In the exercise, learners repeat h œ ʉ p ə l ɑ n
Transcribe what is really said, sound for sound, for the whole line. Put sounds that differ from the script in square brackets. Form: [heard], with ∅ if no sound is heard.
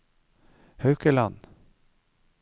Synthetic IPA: h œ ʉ [k] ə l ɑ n